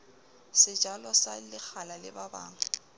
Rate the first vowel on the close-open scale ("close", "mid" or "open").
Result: close